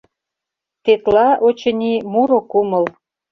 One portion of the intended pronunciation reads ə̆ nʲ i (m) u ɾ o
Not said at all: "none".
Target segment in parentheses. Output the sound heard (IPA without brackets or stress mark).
m